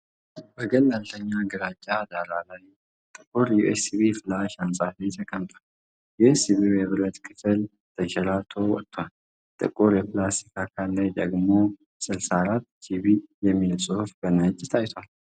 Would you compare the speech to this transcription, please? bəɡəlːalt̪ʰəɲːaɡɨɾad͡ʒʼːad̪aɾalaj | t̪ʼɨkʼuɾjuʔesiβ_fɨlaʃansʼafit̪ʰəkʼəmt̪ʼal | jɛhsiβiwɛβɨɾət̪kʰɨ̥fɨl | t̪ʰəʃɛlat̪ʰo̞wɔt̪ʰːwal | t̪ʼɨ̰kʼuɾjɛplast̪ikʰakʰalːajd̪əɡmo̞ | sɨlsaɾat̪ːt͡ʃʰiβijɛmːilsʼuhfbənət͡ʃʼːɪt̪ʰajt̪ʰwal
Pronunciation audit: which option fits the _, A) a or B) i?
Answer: B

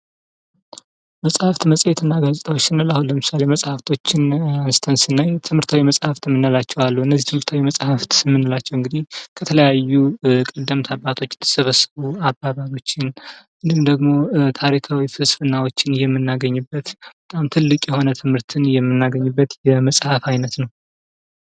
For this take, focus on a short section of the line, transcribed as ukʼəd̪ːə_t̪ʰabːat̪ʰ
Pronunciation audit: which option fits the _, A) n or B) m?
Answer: B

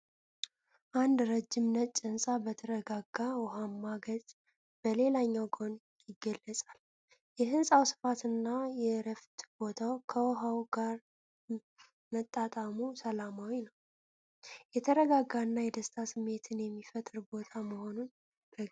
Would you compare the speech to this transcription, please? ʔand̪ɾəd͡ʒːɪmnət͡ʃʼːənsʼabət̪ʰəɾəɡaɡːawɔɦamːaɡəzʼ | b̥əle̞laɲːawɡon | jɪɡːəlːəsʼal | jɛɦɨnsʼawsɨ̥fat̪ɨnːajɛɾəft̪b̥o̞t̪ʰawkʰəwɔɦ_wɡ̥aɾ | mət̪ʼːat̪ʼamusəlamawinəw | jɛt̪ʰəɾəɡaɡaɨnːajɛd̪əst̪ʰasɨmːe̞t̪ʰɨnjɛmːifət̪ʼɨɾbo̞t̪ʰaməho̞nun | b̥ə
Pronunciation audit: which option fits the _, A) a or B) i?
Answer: A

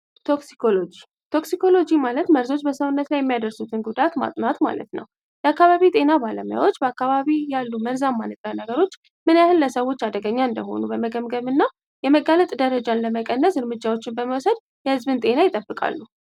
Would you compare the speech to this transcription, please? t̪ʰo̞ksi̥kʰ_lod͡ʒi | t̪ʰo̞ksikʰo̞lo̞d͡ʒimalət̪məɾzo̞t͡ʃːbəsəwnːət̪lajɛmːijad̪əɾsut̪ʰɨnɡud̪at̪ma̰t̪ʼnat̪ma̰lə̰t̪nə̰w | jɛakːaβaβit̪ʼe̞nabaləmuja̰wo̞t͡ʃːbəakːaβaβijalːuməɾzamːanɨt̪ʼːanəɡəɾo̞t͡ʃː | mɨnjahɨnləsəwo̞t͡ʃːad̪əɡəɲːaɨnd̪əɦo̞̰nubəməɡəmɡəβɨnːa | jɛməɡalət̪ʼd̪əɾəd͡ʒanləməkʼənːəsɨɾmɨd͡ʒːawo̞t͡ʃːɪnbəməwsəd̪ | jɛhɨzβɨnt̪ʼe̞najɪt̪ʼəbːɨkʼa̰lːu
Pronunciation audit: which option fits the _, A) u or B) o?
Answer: B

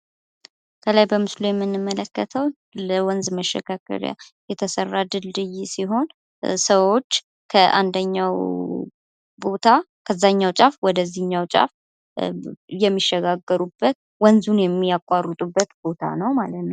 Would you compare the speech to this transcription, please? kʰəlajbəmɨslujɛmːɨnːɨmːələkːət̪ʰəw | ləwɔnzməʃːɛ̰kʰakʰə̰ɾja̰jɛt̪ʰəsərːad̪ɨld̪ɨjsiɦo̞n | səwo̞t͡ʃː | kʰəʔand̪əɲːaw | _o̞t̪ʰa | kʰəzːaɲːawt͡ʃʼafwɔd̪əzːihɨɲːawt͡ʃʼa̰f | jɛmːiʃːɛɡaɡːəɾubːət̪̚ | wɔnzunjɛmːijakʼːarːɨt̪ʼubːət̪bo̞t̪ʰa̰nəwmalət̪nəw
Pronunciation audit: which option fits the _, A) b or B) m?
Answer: A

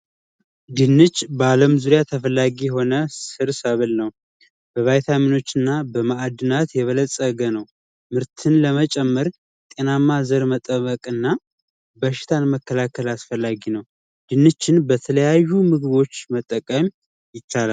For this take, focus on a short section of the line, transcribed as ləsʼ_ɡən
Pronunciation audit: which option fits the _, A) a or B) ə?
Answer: B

